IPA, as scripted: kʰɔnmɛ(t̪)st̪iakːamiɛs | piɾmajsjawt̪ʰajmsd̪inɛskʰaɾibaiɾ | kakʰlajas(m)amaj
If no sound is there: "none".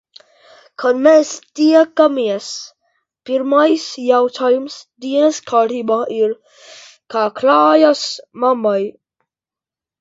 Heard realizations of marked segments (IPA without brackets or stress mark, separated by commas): none, m